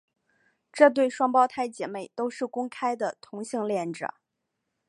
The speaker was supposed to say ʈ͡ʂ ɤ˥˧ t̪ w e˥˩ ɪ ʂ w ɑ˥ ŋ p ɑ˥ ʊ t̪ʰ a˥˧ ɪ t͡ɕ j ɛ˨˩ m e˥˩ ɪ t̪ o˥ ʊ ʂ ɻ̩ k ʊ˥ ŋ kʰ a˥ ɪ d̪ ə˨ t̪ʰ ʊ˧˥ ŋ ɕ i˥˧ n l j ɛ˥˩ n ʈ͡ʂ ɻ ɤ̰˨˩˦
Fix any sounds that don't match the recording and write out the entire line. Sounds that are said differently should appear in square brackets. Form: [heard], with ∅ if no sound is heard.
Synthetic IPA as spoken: ʈ͡ʂ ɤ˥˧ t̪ w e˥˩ ɪ ʂ w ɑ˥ ŋ p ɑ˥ ʊ t̪ʰ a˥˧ ɪ t͡ɕ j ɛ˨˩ m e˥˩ ɪ t̪ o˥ ʊ ʂ ɻ̩ k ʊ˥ ŋ kʰ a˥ ɪ d̪ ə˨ t̪ʰ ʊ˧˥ ŋ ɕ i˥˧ [ŋ] l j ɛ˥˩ n ʈ͡ʂ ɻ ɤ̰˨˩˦